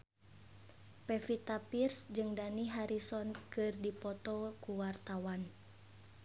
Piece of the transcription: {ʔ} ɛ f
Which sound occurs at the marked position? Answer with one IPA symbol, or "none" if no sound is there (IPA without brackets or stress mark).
p